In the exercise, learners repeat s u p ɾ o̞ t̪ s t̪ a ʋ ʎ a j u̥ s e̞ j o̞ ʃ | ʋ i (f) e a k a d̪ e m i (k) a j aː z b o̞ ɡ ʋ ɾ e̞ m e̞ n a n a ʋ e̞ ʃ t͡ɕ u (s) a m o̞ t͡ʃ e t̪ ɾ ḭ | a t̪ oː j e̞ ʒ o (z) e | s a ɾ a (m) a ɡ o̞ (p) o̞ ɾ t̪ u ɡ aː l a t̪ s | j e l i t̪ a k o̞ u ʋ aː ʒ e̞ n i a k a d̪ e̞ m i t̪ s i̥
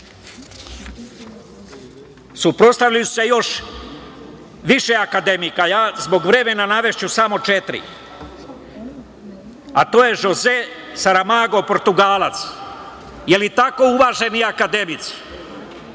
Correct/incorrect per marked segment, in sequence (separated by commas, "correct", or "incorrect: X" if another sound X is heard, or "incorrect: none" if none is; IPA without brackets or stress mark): incorrect: ʃ, correct, correct, correct, correct, correct